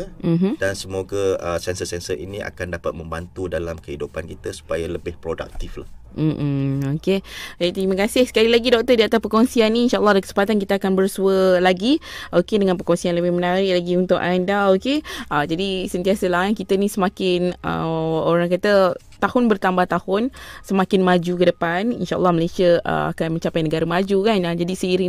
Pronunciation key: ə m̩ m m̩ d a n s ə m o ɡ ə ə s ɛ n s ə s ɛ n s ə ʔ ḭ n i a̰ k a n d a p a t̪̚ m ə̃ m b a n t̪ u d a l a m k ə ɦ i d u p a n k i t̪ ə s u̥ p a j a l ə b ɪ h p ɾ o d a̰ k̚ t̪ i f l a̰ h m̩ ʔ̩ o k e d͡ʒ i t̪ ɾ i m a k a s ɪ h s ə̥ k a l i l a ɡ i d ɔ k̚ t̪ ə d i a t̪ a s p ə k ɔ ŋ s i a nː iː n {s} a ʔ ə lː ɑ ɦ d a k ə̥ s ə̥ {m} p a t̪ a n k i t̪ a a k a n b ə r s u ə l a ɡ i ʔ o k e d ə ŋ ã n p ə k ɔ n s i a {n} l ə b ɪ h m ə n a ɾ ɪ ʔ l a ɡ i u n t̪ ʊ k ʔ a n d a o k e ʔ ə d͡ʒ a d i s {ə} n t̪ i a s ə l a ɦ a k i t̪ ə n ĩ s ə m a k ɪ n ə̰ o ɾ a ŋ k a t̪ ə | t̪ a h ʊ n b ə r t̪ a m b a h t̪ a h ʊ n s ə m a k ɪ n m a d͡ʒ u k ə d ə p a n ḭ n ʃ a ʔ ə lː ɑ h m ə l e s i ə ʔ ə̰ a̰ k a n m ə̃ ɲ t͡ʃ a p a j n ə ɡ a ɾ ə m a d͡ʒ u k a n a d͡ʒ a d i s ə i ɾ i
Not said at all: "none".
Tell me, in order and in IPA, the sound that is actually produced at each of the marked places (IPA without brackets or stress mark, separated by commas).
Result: ʃ, m, n, ə